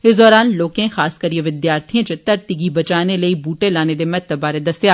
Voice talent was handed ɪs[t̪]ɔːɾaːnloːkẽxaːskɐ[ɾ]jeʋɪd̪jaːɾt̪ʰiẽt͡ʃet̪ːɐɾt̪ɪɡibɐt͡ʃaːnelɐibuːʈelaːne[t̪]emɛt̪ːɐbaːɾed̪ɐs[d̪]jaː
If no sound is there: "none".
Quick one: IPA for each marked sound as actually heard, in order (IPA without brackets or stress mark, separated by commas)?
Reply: d̪, ɾ, d̪, t̪